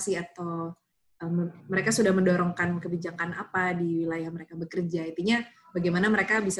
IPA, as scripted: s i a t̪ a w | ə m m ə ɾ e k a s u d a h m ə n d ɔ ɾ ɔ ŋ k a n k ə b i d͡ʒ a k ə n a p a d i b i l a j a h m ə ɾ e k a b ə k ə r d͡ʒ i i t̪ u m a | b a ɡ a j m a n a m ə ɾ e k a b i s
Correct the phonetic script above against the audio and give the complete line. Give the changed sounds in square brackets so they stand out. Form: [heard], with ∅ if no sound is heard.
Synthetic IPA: s i a t̪ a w | ə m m ə ɾ e k a s u d a h m ə n d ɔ ɾ ɔ ŋ k a n k ə b i d͡ʒ a k [a] n a p a d i [w] i l a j a h m ə ɾ e k a b ə k ə r d͡ʒ [a] i t̪ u [ɲ] a | b a ɡ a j m a n a m ə ɾ e k a b i s